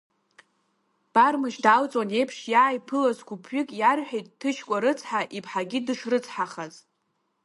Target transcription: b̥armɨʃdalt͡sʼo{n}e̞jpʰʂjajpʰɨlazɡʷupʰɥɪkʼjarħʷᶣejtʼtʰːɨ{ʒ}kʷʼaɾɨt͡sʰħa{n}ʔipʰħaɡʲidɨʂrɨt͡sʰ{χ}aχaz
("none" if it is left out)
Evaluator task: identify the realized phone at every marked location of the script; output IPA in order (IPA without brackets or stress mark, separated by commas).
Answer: n, ʃ, none, ħ